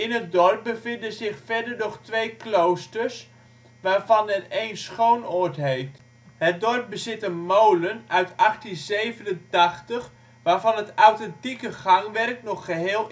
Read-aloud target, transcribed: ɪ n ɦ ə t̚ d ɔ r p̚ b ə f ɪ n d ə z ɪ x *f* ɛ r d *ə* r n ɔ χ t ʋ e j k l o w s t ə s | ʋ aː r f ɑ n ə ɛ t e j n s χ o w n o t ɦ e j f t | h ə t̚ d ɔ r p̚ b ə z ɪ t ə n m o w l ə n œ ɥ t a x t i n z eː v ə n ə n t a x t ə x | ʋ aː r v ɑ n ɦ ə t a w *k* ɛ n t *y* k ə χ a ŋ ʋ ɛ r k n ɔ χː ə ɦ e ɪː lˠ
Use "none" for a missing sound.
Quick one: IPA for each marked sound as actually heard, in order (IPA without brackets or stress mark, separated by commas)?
f, ə, t, i